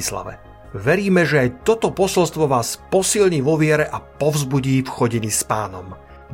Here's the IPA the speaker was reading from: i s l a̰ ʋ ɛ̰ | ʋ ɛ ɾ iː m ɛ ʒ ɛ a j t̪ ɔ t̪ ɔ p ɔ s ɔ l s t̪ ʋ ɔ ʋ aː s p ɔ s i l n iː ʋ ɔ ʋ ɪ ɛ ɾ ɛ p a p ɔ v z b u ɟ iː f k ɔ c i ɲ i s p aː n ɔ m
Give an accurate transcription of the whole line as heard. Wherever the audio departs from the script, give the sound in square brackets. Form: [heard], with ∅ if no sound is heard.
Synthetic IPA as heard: i s l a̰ ʋ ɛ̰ | ʋ ɛ ɾ iː m ɛ ʒ ɛ a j t̪ ɔ t̪ ɔ p ɔ s ɔ l s t̪ ʋ ɔ ʋ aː s p ɔ s i l [ɲ] iː ʋ ɔ ʋ ɪ ɛ ɾ ɛ [ʔ] a p ɔ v z b u ɟ iː f [x] ɔ [ɟ] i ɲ i s p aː n ɔ m